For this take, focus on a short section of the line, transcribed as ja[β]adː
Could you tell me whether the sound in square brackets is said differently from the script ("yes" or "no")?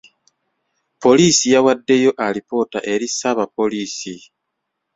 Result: yes